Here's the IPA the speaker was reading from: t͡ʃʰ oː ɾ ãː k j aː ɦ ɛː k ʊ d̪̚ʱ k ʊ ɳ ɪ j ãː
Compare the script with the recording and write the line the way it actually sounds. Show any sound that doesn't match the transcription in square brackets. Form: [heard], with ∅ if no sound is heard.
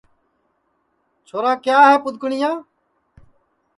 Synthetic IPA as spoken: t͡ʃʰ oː ɾ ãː k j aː ɦ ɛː [p] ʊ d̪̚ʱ k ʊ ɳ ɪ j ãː